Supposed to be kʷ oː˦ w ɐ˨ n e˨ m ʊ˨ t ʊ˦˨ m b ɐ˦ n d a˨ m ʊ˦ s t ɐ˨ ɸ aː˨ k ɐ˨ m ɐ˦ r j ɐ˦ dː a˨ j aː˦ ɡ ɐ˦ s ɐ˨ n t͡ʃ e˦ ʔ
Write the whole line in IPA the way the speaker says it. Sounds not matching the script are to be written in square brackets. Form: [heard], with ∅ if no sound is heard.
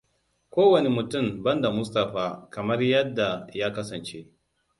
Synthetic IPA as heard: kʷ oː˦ w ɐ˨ n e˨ m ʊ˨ t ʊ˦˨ m b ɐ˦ n d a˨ m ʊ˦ s t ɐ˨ ɸ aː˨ k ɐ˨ m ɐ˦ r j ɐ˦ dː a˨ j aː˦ [k] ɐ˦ s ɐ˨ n t͡ʃ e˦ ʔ